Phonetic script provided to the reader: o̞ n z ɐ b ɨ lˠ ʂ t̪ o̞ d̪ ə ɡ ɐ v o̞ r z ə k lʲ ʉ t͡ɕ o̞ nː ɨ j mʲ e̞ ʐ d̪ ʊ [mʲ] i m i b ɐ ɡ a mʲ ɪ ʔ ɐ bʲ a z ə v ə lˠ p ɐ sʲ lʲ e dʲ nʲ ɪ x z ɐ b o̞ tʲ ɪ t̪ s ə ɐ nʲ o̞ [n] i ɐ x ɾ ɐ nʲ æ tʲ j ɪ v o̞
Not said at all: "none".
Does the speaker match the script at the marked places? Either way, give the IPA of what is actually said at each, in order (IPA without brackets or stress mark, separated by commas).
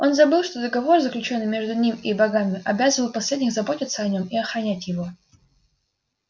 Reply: nʲ, m